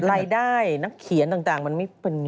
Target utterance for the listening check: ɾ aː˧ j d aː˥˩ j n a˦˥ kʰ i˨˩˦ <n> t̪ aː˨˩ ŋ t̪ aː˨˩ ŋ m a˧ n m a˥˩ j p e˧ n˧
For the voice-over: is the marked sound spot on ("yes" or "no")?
yes